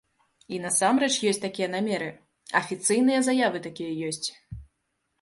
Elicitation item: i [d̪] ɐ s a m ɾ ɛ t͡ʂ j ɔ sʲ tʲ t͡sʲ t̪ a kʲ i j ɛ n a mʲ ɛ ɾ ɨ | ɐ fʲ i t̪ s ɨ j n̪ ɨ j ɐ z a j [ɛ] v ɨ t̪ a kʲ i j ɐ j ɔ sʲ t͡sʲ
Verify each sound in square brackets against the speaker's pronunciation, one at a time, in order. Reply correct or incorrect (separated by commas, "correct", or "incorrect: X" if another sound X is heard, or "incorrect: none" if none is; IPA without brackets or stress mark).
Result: incorrect: n̪, incorrect: a